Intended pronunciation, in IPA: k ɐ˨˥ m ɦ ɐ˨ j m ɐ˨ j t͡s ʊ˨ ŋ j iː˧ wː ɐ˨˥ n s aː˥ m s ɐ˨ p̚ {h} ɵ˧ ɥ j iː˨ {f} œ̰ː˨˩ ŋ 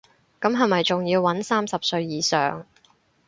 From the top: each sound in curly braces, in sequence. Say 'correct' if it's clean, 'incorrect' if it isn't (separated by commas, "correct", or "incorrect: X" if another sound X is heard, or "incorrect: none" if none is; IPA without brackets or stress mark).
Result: incorrect: s, incorrect: s